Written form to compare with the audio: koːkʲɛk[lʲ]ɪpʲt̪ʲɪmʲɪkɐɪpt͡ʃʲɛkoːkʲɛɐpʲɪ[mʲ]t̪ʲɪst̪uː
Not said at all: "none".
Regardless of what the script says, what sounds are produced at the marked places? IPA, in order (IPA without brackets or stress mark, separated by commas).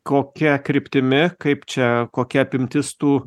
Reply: ɾʲ, mʲ